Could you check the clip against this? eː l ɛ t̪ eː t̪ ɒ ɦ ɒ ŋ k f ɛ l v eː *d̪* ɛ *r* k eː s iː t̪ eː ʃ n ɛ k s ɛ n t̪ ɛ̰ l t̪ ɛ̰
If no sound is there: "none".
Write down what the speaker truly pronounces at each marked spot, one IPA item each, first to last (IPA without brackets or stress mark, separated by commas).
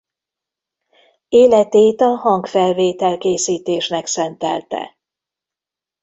t̪, l